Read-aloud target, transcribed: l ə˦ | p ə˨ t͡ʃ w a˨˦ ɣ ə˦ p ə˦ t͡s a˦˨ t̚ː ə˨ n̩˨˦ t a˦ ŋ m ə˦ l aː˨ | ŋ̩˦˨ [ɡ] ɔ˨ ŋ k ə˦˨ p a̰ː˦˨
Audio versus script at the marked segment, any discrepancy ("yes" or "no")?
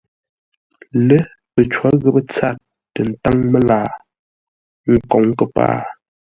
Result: yes